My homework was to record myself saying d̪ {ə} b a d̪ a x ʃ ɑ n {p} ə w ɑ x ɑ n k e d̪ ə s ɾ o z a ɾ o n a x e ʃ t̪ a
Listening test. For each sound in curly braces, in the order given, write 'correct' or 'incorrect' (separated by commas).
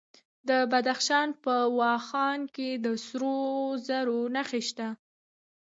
correct, correct